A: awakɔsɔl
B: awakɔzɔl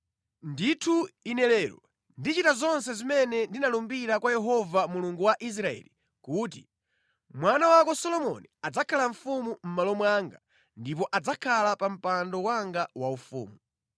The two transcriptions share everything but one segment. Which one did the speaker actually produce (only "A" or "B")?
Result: A